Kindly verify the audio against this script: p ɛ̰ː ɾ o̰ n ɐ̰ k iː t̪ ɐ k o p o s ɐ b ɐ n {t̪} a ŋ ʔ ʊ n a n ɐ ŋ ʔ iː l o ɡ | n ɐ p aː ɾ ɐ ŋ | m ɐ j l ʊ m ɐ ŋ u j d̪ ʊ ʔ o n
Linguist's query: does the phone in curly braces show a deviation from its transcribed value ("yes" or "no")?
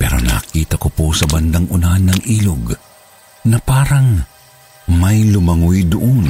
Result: yes